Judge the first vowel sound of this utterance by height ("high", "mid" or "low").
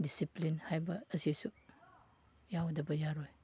high